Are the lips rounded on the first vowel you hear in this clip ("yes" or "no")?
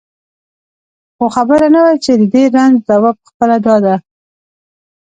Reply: yes